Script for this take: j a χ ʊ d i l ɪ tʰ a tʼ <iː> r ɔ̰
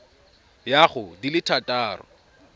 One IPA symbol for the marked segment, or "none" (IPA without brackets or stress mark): aː